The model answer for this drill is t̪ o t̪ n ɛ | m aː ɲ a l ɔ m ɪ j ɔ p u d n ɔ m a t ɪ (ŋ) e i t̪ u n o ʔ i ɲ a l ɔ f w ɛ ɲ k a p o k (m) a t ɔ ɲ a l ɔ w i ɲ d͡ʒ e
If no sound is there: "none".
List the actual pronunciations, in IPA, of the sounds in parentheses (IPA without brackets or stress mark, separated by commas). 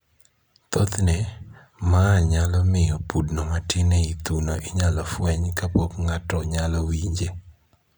n, ŋ